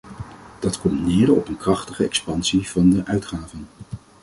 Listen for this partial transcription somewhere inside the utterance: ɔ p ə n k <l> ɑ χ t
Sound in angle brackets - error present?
yes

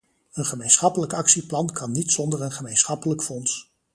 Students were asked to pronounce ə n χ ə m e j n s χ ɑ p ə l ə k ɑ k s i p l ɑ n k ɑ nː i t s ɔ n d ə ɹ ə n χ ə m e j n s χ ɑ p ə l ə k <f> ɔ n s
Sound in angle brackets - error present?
no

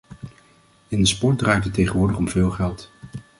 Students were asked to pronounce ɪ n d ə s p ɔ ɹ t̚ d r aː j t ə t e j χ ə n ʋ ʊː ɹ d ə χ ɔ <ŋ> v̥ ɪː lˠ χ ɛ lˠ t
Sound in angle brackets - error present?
yes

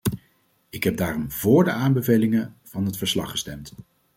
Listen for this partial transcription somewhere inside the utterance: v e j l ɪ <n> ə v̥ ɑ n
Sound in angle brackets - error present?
yes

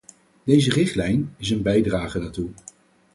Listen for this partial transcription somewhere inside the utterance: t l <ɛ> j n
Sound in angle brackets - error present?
no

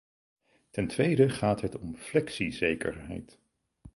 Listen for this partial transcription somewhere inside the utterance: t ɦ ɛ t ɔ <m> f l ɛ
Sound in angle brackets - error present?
no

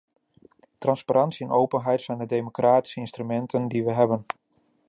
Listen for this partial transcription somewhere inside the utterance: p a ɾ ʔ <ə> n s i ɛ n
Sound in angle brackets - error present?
yes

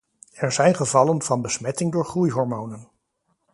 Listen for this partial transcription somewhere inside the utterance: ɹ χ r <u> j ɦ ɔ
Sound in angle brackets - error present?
no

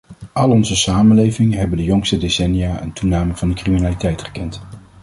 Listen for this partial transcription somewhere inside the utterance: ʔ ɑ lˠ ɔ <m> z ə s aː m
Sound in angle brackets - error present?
yes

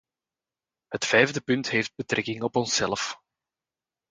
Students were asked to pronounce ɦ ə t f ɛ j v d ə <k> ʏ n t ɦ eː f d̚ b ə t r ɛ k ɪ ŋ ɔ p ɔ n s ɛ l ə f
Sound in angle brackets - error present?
yes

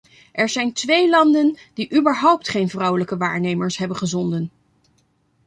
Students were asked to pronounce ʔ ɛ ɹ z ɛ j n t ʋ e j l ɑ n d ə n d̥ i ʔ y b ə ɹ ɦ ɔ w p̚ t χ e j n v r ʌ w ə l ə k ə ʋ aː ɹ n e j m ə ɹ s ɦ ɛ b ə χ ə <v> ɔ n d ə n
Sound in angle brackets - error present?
yes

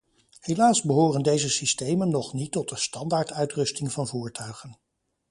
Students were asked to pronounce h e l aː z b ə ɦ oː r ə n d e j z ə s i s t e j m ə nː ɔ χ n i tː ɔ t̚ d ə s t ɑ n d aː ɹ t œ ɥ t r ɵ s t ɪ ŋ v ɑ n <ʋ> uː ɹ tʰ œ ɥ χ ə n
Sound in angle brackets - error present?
yes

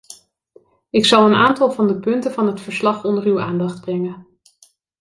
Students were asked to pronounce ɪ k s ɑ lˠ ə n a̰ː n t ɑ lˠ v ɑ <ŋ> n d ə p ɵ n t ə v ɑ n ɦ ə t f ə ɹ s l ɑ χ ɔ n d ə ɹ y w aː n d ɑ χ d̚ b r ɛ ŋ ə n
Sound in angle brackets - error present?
yes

